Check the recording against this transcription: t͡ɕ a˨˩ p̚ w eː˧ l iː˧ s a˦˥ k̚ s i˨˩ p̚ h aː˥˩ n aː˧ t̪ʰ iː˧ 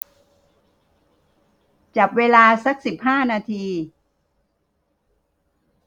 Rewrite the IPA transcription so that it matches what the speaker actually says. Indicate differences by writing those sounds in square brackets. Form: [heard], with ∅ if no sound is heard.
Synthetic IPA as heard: t͡ɕ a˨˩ p̚ w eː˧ l [aː˧] s a˦˥ k̚ s i˨˩ p̚ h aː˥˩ n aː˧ t̪ʰ iː˧